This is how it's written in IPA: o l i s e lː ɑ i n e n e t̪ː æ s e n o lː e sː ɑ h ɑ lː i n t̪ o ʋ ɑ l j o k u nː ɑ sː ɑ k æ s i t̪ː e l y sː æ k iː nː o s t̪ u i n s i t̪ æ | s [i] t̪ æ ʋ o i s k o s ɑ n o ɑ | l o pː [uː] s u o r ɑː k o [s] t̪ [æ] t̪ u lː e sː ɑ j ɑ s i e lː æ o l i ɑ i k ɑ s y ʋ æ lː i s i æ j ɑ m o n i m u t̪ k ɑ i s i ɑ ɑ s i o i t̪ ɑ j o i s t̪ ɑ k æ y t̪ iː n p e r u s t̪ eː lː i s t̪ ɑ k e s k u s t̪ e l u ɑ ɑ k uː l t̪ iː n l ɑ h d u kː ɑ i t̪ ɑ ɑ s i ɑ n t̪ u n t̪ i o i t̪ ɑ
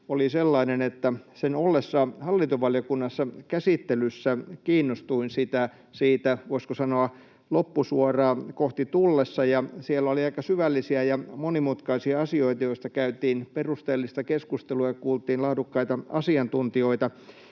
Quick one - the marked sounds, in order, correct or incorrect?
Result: incorrect, incorrect, incorrect, incorrect

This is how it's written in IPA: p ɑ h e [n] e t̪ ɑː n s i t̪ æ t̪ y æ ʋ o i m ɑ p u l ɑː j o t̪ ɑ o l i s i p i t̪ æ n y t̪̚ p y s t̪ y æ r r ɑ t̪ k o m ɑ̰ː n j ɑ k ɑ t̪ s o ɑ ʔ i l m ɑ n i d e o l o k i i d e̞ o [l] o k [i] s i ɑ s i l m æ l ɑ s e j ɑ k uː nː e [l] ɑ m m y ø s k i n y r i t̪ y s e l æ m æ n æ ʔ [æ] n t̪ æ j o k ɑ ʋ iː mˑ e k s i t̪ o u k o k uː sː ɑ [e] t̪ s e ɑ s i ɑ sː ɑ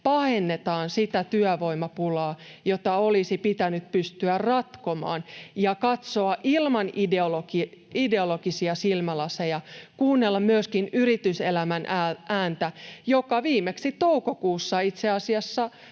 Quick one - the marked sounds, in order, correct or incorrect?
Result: incorrect, correct, correct, incorrect, incorrect, incorrect

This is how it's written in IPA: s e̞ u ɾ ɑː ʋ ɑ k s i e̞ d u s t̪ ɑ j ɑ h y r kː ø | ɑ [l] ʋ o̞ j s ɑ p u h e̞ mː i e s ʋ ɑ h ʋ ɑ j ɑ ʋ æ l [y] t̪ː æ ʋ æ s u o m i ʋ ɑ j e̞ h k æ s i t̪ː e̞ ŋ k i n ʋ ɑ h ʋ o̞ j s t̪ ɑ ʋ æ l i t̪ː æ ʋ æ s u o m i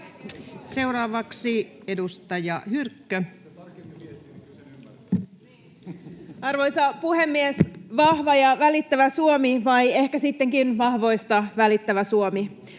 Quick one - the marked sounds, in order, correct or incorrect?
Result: incorrect, incorrect

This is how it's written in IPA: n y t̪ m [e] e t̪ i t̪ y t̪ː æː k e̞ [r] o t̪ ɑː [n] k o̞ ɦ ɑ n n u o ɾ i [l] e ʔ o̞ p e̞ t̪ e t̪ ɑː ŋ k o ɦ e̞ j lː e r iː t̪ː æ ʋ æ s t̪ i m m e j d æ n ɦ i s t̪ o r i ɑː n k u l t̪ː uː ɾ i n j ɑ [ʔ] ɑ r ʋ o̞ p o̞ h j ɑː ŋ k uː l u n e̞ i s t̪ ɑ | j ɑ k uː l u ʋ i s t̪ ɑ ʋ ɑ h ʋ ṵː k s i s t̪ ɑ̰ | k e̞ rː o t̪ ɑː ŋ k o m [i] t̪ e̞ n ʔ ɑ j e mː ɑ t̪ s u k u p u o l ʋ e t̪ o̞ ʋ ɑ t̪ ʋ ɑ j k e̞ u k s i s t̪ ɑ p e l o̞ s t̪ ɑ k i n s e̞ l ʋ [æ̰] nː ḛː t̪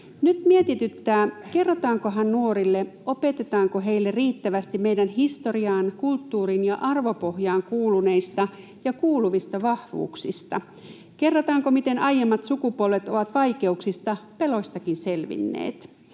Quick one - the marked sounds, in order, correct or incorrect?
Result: incorrect, incorrect, incorrect, incorrect, correct, correct, incorrect

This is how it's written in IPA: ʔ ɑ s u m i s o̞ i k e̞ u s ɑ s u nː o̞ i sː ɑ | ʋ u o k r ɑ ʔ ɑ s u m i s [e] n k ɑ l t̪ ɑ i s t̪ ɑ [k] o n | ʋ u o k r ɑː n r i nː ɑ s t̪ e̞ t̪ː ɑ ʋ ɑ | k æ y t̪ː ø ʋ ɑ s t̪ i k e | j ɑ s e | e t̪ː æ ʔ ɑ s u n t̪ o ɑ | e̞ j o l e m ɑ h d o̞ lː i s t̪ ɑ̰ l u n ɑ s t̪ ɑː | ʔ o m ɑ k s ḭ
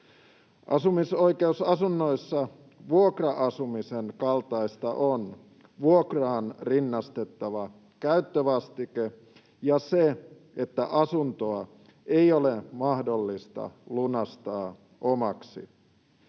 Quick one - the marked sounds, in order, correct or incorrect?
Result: correct, incorrect

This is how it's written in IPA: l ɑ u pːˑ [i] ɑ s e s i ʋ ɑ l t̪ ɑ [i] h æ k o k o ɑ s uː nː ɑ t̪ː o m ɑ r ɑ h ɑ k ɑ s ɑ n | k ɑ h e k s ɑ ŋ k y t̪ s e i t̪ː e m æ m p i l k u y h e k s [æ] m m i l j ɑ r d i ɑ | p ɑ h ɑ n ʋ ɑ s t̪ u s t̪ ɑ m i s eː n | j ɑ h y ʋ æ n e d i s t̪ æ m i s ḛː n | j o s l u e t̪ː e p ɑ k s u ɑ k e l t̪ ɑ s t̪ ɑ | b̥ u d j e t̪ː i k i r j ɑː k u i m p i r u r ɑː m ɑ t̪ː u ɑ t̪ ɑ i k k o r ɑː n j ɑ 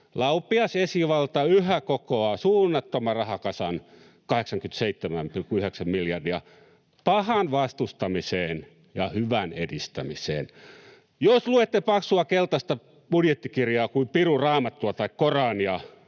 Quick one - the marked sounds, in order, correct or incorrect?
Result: correct, incorrect, correct

